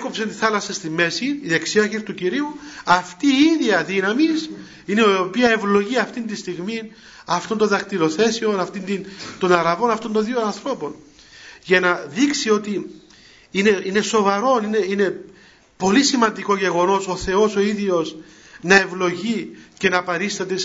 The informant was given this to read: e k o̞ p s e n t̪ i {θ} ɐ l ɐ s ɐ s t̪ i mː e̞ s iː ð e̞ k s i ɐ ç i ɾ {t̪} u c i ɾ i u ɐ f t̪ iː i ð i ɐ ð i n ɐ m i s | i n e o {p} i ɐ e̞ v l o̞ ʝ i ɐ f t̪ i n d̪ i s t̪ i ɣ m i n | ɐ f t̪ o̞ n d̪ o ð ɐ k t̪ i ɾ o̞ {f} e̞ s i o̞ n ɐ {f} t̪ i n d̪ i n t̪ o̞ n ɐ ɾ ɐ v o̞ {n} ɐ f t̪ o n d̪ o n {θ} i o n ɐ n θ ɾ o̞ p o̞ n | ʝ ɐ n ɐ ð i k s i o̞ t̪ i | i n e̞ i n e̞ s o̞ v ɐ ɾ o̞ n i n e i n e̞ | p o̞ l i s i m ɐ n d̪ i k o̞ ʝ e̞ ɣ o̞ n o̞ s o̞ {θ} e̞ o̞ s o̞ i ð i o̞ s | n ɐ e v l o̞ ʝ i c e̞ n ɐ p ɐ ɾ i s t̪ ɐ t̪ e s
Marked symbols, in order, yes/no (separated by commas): yes, yes, yes, no, yes, yes, no, yes